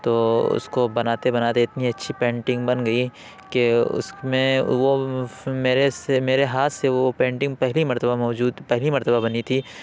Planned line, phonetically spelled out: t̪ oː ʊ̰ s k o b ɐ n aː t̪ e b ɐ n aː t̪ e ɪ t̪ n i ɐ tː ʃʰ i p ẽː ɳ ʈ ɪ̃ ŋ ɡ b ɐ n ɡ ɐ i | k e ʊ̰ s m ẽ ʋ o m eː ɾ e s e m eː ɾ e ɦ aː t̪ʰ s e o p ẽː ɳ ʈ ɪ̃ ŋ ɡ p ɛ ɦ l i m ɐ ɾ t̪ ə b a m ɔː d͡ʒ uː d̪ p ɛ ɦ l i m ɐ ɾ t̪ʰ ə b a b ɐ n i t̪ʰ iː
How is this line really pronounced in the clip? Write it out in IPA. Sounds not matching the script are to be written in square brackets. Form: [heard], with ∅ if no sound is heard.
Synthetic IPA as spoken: t̪ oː ʊ̰ s k o b ɐ n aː t̪ e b ɐ n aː t̪ e ɪ t̪ n i ɐ tː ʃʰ i p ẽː ɳ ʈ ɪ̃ ŋ ɡ b ɐ n ɡ ɐ i | k e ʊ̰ s m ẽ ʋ o m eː ɾ e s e m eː ɾ e ɦ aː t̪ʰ s e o p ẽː ɳ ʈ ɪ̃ ŋ ɡ p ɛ ɦ l i m ɐ ɾ t̪ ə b a m ɔː d͡ʒ uː d̪ p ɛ ɦ l i m ɐ ɾ [t̪] ə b a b ɐ n i t̪ʰ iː